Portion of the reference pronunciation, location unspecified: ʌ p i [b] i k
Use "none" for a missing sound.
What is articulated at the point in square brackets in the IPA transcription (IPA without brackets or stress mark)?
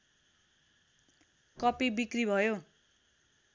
b